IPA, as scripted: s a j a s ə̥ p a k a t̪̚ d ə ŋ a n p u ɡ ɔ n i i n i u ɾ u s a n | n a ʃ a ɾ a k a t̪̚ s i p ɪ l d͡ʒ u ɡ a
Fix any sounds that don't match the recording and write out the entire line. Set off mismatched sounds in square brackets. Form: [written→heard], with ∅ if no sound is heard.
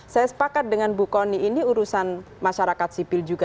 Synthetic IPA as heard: s a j a s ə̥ p a k a t̪̚ d ə ŋ a n [p→b] u [ɡ→k] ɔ n i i n i u ɾ u s a n | [n→m] a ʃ a ɾ a k a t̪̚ s i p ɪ l d͡ʒ u ɡ a